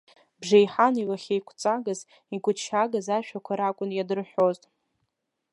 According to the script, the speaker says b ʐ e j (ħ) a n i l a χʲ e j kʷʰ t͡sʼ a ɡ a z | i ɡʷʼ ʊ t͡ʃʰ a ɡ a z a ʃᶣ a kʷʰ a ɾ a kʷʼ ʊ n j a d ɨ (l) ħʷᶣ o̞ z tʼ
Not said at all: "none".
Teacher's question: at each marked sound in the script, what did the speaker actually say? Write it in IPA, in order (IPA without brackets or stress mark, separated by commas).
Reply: ħ, r